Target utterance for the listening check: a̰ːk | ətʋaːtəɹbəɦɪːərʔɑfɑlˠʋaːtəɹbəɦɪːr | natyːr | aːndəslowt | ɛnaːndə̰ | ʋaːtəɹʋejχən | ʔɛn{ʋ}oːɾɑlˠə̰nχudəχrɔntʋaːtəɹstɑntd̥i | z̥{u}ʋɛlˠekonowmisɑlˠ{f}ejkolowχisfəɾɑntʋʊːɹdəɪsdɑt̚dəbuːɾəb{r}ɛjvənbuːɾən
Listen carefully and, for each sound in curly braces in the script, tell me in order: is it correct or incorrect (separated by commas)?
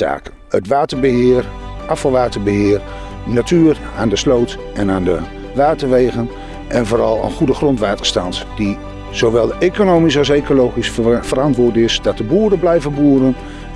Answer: incorrect, incorrect, incorrect, incorrect